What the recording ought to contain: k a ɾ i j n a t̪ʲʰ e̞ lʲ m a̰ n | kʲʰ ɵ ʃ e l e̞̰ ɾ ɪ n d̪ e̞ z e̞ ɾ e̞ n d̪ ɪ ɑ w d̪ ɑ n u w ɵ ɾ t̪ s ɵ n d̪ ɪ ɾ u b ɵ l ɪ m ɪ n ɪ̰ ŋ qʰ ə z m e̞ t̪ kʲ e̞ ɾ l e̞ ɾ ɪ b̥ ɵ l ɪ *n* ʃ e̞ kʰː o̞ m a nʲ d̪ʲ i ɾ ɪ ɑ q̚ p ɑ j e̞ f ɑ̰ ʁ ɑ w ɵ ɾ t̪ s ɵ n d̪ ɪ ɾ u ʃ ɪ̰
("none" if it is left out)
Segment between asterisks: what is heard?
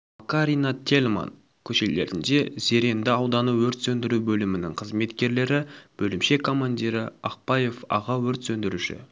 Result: m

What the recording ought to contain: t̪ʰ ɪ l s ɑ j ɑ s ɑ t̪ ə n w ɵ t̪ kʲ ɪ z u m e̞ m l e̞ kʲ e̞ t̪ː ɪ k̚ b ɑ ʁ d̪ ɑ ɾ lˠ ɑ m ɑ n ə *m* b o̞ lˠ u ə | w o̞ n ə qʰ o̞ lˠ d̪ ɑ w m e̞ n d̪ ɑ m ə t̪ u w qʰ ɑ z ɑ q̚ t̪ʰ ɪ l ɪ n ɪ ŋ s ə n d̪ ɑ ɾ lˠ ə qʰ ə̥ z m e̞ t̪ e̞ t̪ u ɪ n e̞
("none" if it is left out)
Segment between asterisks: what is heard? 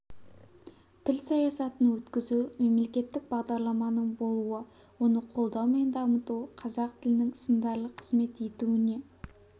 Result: ɴ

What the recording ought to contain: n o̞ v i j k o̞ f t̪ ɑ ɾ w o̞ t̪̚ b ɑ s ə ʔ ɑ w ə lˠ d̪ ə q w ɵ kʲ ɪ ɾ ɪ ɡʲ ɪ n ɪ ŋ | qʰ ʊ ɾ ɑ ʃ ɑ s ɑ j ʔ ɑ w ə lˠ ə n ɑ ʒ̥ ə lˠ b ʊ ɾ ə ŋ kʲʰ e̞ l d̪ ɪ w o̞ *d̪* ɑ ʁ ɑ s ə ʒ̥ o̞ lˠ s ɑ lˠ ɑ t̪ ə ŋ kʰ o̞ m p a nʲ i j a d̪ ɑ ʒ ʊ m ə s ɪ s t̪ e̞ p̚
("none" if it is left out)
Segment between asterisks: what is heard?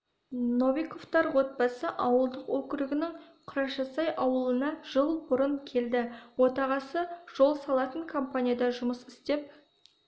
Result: t̪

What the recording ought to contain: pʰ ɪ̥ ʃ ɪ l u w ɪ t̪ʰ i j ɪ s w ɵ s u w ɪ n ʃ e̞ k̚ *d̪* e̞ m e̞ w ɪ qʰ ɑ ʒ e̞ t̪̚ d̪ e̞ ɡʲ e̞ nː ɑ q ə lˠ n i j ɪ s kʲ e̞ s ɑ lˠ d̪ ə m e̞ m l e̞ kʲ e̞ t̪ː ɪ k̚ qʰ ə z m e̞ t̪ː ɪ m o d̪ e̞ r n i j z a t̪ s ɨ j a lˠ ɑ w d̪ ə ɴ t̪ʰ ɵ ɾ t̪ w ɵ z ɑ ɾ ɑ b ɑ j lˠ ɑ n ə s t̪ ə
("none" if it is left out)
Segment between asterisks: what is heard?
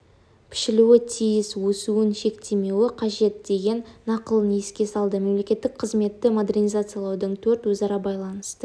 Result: t̪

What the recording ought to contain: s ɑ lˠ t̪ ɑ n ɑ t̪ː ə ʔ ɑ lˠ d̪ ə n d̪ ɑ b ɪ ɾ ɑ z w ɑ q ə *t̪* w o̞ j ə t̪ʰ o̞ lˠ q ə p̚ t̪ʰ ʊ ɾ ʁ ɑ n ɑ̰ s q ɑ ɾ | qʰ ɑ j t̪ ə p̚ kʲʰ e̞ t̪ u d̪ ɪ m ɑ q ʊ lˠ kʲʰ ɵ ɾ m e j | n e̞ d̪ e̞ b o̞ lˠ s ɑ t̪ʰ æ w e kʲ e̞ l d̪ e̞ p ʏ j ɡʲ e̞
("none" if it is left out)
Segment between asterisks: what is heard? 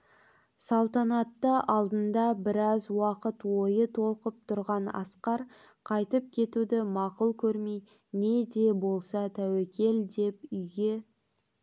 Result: t̪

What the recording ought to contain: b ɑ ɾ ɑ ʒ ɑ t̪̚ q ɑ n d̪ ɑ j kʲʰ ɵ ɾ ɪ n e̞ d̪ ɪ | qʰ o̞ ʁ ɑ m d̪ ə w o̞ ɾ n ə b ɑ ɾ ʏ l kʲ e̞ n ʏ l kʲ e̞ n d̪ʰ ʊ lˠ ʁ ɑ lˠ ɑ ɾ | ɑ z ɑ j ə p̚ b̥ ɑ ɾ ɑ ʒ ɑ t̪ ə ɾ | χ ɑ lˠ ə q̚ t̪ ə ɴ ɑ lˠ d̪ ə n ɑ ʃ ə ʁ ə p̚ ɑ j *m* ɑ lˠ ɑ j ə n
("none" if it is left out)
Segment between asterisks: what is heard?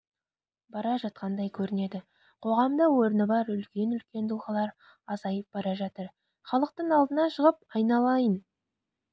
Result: n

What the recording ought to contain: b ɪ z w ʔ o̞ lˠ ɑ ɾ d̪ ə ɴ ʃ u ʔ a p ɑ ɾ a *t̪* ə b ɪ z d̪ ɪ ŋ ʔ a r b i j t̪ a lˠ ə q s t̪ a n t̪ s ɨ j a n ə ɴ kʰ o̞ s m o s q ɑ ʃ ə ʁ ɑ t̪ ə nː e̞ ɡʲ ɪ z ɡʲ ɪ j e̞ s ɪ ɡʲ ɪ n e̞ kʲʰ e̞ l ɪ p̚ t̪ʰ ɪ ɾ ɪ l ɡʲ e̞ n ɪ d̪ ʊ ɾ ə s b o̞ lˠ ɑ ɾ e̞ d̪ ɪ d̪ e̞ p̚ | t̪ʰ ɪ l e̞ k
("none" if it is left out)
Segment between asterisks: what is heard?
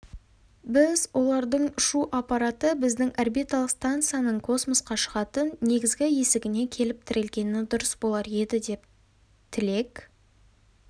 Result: t̪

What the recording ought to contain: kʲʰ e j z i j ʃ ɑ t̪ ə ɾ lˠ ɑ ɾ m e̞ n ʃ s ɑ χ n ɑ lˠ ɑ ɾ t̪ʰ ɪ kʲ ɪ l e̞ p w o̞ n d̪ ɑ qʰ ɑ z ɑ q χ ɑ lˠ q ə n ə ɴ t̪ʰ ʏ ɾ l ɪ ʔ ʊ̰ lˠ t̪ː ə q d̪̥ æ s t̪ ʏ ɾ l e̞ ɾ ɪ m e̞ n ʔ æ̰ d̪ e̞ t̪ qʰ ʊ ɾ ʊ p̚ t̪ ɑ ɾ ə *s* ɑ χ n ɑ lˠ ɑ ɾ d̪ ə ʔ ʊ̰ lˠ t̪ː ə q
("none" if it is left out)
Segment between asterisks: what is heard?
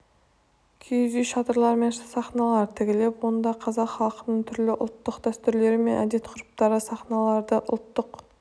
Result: s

